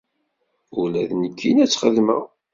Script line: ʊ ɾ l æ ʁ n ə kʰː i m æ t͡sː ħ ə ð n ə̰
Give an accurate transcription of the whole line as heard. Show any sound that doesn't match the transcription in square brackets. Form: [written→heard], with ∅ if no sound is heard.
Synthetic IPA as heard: ʊ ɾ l æ [ʁ→ð] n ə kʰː i [m→n] æ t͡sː [ħ→χ] ə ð [n→m] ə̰